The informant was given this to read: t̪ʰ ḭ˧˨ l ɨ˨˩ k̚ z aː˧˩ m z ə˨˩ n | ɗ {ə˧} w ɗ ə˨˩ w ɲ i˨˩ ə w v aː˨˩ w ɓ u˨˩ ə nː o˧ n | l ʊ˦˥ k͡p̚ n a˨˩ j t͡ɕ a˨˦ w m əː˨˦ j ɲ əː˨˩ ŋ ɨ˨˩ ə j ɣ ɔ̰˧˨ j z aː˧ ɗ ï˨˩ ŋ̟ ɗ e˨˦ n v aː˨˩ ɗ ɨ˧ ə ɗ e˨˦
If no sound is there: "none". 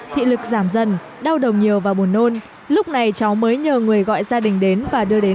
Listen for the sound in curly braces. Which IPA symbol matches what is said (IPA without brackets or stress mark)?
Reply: a˧